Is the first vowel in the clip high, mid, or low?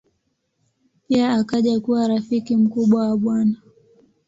high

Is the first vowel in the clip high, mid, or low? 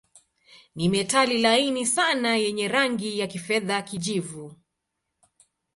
high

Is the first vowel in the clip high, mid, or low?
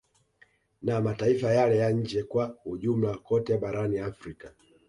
low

